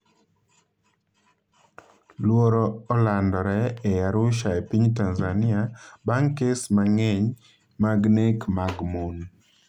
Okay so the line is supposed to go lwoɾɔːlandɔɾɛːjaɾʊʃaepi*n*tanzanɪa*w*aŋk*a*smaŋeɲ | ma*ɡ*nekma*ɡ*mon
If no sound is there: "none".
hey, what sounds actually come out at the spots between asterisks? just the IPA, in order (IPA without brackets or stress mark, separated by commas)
ɲ, b, e, ɡ, ɡ